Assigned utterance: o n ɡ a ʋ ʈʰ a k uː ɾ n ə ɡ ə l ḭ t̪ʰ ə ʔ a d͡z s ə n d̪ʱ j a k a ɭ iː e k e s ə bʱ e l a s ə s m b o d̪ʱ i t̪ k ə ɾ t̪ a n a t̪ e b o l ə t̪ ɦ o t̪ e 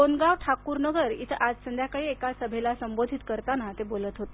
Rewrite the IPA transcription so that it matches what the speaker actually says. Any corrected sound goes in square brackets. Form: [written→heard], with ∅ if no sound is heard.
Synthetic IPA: o n ɡ a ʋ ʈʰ a k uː ɾ n ə ɡ ə [l→ɾ] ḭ t̪ʰ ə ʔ a d͡z s ə n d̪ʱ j a k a ɭ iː e k [e→a] s ə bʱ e l a s ə [s→∅] m b o d̪ʱ i t̪ k ə ɾ t̪ a n a t̪ e b o l ə t̪ ɦ o t̪ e